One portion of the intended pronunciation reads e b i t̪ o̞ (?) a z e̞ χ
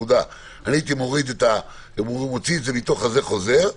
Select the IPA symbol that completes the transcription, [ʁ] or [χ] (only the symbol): χ